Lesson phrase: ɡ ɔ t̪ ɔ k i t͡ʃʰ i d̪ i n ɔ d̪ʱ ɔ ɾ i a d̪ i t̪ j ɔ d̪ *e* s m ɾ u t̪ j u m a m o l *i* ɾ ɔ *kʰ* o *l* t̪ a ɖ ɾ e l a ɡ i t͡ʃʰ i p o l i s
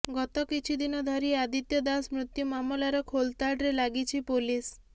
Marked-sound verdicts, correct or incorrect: incorrect: a, incorrect: a, correct, correct

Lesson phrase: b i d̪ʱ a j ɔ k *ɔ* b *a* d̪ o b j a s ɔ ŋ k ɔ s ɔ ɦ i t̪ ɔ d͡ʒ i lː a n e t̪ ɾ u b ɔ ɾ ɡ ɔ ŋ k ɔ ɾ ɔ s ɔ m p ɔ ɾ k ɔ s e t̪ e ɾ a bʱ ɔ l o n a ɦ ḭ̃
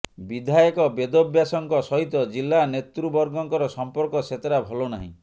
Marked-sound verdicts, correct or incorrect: correct, incorrect: e

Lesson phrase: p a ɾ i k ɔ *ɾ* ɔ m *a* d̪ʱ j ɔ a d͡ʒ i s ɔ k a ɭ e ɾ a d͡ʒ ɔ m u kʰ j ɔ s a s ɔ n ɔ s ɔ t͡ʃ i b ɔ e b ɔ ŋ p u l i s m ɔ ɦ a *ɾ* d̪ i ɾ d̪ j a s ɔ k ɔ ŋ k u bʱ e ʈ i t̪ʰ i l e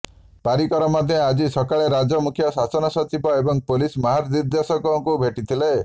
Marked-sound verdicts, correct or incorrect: correct, correct, correct

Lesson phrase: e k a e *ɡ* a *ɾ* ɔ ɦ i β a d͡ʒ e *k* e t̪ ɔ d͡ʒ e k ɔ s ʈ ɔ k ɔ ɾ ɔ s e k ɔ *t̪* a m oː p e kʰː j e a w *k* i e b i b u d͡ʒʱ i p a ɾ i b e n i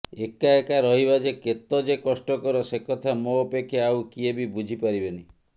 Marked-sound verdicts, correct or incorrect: incorrect: k, correct, correct, incorrect: t̪ʰ, correct

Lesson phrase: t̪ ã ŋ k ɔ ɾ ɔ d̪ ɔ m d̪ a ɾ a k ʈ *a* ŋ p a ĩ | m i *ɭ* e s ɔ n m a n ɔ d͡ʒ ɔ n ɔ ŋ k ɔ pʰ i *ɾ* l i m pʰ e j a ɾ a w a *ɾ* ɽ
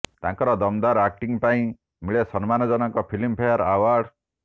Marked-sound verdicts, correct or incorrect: incorrect: i, correct, incorrect: none, correct

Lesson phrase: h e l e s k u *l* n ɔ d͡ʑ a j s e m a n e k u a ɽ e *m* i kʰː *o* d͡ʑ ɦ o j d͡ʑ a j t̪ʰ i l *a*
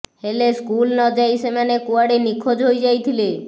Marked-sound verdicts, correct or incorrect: correct, incorrect: n, correct, incorrect: e

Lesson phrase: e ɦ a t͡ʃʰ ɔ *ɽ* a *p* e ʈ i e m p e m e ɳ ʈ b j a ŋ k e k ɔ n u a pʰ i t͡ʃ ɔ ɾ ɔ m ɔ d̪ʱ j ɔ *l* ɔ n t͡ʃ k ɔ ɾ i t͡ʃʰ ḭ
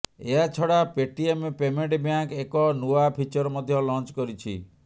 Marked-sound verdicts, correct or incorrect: correct, correct, correct

